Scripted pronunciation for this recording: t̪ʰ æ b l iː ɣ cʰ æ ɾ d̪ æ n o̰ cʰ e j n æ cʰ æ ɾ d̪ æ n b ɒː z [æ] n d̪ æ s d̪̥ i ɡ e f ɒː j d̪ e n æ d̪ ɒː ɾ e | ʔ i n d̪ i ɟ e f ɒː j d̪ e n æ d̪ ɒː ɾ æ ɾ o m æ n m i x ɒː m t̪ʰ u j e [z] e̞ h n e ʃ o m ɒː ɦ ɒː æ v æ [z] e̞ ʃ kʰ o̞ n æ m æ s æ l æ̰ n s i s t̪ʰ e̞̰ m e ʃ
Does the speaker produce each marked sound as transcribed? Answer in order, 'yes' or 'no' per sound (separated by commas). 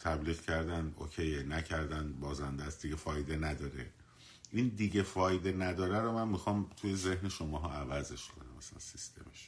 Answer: yes, yes, yes